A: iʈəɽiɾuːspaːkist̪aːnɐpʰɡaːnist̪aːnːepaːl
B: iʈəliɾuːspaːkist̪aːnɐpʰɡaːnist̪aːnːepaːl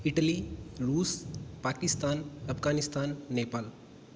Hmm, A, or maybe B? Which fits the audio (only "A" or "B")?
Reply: B